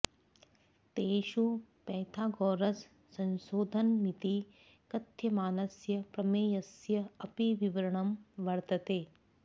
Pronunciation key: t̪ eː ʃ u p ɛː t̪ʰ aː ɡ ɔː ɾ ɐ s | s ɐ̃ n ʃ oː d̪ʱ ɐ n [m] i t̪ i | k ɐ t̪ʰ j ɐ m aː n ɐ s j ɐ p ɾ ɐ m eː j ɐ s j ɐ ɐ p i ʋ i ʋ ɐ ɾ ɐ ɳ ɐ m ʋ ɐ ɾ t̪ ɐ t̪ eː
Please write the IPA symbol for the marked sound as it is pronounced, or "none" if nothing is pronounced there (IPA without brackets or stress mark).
m